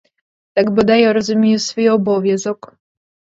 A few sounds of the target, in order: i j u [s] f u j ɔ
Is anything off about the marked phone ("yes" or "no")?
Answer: no